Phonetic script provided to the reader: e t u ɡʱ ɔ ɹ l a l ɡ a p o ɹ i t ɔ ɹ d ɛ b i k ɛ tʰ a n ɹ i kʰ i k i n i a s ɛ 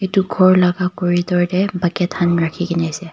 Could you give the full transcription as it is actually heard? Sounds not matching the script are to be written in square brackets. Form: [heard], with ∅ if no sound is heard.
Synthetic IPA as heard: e t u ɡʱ ɔ ɹ l a [∅] ɡ a [k] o ɹ i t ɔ ɹ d ɛ b [a] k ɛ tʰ a n ɹ [a] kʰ i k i n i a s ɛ